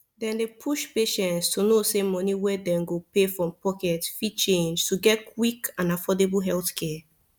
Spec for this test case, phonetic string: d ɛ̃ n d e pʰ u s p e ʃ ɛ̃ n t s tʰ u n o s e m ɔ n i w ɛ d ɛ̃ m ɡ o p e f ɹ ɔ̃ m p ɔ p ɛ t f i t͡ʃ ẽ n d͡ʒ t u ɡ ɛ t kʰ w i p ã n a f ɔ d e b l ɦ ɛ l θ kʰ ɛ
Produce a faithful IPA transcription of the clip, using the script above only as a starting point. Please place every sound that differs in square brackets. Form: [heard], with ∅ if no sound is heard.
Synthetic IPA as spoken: d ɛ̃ n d e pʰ u [ʃ] p e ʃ ɛ̃ n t s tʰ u n o s e m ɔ n i w ɛ d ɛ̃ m ɡ o p e f ɹ ɔ̃ m p ɔ [k] ɛ t f i t͡ʃ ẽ n d͡ʒ t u ɡ ɛ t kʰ w i [k] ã n a f ɔ d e b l ɦ ɛ l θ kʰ ɛ